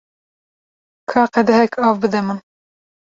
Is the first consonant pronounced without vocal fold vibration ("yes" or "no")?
yes